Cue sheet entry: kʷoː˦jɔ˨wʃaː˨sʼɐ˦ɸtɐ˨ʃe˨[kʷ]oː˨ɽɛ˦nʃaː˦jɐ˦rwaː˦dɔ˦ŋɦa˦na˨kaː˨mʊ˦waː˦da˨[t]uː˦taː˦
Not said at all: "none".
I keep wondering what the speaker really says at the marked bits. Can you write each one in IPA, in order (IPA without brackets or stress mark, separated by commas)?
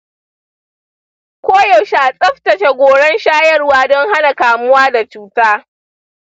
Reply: ɡʷ, t͡ʃ